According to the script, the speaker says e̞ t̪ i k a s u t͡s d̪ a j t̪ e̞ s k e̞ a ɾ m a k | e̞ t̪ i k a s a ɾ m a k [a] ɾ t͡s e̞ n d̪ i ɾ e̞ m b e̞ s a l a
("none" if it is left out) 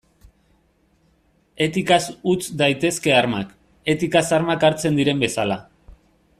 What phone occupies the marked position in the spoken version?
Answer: a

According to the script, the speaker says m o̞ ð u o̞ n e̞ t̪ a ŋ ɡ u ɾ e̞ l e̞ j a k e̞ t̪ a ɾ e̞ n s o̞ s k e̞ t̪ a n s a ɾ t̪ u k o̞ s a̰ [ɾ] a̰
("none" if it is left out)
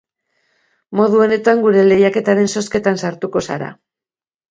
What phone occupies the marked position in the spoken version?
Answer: ɾ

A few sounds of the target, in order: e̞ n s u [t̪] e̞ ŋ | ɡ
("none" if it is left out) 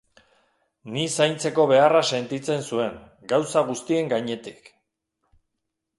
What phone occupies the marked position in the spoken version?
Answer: none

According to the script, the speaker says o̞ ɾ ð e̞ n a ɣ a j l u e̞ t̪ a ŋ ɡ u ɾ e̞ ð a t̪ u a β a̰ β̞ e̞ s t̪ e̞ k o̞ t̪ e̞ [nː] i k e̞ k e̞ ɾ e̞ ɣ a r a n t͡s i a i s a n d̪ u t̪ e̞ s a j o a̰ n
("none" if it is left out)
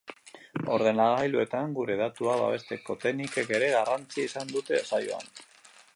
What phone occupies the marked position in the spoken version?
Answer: n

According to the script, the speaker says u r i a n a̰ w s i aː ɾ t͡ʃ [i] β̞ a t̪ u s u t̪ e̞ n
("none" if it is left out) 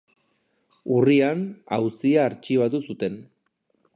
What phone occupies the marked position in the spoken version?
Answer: i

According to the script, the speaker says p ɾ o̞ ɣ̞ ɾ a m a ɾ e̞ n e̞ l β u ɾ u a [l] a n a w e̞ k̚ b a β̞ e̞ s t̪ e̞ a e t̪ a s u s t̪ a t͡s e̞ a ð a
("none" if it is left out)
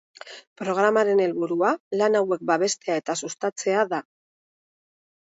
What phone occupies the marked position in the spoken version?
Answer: l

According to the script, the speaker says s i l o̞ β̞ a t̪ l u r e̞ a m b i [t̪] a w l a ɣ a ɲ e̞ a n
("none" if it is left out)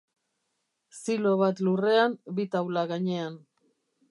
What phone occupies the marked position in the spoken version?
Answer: t̪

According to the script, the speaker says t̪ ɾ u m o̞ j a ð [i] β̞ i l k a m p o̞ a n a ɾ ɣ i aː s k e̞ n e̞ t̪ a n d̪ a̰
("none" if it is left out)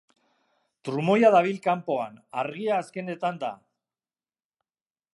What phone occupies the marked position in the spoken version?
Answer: a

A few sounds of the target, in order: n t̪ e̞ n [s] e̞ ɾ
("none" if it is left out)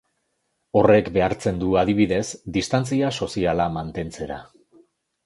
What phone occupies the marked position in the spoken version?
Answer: t͡s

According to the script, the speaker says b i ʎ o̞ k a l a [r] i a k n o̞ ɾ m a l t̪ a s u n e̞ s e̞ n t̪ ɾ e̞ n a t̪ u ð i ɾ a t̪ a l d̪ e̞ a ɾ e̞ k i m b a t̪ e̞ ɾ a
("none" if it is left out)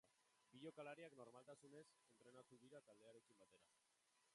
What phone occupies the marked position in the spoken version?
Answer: ɾ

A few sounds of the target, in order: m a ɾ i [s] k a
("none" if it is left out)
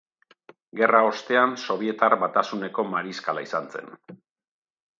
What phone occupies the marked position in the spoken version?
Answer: s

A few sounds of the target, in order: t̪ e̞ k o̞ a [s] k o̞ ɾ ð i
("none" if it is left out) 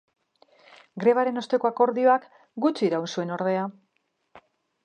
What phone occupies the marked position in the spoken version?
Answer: none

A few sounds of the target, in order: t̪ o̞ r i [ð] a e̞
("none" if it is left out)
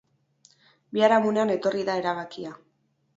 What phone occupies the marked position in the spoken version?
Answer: ð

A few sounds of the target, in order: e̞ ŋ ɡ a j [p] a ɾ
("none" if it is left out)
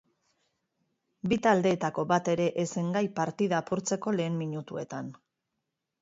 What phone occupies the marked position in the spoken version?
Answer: p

